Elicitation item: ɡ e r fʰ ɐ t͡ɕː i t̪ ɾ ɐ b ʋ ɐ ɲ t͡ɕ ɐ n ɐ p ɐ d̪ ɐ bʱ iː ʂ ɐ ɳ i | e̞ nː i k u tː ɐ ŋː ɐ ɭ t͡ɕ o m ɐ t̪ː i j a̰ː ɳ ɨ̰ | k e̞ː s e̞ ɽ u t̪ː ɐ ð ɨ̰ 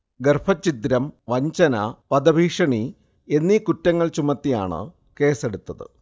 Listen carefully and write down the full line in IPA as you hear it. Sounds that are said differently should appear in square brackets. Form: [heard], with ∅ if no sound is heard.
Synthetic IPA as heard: ɡ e r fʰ ɐ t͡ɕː i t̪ ɾ ɐ [m] ʋ ɐ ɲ t͡ɕ ɐ n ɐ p ɐ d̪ ɐ bʱ iː ʂ ɐ ɳ i | e̞ nː i k u tː ɐ ŋː ɐ ɭ t͡ɕ [u] m ɐ t̪ː i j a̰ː ɳ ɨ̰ | k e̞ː s e̞ ɽ u t̪ː ɐ ð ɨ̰